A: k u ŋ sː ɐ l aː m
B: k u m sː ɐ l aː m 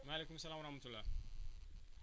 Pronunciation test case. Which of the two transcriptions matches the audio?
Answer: B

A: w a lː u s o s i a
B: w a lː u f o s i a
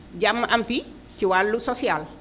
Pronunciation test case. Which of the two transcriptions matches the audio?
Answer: A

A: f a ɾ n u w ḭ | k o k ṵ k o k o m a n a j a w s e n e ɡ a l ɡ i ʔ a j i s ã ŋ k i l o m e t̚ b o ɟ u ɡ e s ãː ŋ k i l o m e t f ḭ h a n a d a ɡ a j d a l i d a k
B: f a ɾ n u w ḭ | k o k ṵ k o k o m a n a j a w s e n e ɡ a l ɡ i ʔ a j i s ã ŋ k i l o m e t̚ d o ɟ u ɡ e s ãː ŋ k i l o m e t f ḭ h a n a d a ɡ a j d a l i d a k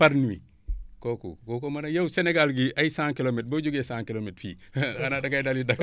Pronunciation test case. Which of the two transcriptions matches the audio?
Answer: A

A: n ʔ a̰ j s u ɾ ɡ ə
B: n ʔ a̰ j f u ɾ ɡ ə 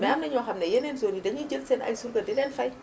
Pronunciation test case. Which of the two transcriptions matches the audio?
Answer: A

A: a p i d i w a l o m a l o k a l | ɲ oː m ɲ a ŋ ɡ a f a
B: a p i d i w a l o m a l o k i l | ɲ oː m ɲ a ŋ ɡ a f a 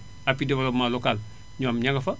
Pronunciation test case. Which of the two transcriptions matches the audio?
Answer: A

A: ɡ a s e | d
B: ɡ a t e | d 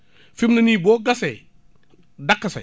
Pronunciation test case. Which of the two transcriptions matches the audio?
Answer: A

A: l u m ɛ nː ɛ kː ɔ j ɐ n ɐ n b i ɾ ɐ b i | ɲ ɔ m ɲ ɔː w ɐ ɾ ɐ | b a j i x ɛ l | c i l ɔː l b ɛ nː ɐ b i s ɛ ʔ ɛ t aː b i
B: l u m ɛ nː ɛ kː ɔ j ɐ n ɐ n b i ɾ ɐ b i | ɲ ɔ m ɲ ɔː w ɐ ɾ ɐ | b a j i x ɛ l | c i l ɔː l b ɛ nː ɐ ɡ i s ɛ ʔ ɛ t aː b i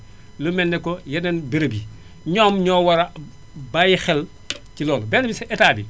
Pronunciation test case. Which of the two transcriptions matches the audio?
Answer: A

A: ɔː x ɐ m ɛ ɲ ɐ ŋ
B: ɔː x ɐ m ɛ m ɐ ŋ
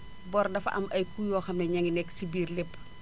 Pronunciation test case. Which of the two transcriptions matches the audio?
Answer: A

